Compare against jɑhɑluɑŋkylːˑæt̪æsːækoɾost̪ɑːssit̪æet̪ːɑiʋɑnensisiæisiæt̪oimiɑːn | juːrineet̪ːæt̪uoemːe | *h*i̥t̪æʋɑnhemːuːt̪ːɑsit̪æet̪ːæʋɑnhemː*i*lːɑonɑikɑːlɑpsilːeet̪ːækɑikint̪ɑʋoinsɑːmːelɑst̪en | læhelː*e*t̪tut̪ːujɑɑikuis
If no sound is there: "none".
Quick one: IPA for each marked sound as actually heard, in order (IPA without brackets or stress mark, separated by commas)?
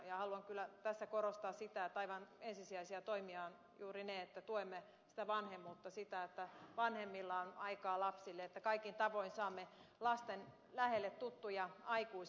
s, i, e